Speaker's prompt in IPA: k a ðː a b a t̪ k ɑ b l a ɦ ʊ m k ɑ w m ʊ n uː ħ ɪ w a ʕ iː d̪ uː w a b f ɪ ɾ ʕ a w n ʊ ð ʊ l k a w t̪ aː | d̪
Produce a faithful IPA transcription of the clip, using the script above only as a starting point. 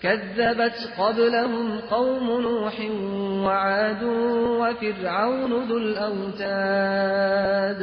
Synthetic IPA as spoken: k a ðː a b a t̪ q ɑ b l a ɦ ʊ m q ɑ w m ʊ n uː ħ ɪ w a ʕ aː d̪ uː w a f ɪ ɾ ʕ a w n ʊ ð ʊ l ʔ a w t̪ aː | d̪